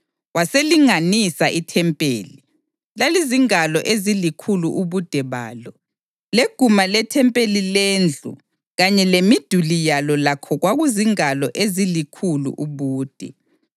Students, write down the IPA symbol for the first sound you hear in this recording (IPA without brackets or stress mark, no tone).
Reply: w